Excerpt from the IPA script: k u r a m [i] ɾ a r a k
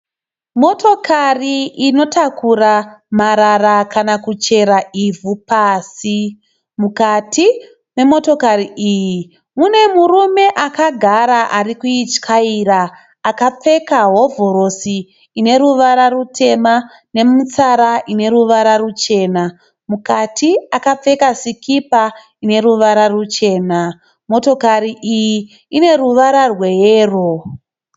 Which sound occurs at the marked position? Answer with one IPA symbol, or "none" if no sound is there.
a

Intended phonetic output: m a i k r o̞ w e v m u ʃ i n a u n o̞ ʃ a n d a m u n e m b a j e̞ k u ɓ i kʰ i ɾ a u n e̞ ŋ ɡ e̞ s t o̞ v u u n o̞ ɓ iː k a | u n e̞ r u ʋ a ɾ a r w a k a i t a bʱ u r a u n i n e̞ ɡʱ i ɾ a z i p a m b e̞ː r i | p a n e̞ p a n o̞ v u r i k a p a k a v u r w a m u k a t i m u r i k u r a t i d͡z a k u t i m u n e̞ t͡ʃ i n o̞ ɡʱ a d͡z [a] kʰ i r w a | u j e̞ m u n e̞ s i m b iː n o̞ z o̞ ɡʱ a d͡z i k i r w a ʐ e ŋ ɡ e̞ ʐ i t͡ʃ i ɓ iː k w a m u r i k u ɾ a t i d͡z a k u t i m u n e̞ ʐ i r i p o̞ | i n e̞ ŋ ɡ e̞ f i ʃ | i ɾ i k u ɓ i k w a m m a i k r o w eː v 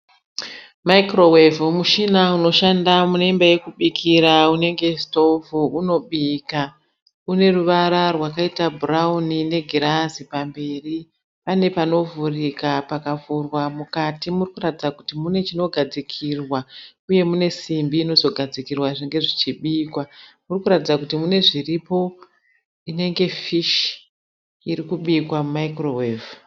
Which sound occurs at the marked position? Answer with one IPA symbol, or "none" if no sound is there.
i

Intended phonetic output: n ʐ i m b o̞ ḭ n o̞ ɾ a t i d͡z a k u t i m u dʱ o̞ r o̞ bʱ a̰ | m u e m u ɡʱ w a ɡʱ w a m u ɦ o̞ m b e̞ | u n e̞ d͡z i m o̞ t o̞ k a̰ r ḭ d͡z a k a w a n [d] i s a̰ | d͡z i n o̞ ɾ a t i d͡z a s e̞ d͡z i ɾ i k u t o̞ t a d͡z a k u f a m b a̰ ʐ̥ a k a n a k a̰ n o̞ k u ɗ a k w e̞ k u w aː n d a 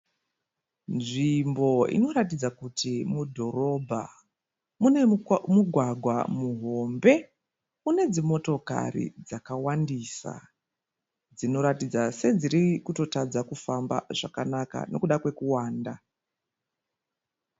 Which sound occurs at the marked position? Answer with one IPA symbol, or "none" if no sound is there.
d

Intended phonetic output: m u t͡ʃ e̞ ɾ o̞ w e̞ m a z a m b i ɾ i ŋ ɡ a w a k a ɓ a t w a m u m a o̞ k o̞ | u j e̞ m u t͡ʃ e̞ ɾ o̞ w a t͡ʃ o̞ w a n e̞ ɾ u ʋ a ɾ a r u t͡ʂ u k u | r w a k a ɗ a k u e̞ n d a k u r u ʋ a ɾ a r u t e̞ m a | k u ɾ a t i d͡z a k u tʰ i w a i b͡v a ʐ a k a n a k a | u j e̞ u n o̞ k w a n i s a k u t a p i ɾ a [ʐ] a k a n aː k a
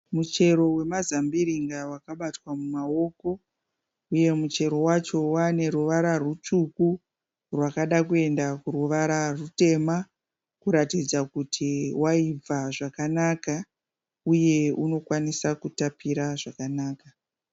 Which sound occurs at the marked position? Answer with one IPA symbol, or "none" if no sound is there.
ʐ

